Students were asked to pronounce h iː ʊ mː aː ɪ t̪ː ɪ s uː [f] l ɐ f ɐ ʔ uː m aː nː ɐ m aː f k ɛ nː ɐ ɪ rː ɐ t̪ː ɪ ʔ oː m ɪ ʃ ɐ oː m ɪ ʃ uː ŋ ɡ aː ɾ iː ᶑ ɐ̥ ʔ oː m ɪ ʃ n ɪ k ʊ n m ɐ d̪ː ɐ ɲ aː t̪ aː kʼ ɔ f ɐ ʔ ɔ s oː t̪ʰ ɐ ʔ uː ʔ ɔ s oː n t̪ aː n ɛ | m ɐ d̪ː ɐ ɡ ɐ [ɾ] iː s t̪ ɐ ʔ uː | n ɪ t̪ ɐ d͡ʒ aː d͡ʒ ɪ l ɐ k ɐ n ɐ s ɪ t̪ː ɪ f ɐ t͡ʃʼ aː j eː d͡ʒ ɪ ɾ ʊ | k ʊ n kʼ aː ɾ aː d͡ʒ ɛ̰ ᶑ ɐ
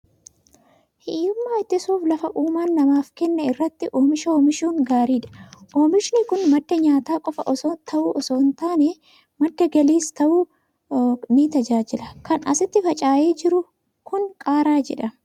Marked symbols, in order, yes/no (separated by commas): yes, no